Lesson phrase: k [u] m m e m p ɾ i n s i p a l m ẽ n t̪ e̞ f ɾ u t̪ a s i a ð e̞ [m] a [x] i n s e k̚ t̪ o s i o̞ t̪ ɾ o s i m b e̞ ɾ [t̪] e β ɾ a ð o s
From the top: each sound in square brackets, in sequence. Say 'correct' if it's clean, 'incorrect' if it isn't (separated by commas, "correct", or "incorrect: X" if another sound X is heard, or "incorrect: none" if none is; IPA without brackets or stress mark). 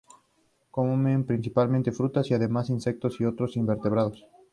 incorrect: o, correct, incorrect: s, correct